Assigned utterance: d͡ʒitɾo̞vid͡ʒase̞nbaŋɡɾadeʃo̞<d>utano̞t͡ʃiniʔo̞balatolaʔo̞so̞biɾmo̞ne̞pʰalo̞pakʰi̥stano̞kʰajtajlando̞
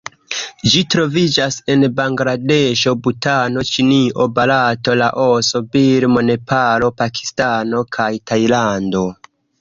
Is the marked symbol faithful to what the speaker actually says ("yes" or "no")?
no